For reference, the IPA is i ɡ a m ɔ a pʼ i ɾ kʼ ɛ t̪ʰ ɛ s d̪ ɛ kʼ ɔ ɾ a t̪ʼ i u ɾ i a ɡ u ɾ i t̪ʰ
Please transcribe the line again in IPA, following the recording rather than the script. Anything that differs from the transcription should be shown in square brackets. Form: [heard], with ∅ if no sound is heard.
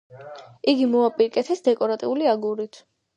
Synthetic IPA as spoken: i ɡ [i] m ɔ a pʼ i ɾ kʼ ɛ t̪ʰ ɛ s d̪ ɛ kʼ ɔ ɾ a t̪ʼ i u [l] i a ɡ u ɾ i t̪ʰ